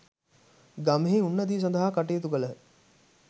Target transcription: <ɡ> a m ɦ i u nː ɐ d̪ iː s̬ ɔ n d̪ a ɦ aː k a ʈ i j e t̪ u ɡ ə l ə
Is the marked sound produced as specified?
yes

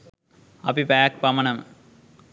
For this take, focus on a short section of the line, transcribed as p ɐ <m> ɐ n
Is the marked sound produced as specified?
yes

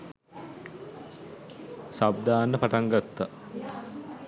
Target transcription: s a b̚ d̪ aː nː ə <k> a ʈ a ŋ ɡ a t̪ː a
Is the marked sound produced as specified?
no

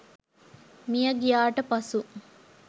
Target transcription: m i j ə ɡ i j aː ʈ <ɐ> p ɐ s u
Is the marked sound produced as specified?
no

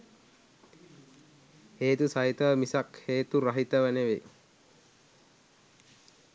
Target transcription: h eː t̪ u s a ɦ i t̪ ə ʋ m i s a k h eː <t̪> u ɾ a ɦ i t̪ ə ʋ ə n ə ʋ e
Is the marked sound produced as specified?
yes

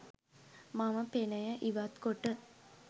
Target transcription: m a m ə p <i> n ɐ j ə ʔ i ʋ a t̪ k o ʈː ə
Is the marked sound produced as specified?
no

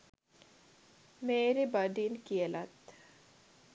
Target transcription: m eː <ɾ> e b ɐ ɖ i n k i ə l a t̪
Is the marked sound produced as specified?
yes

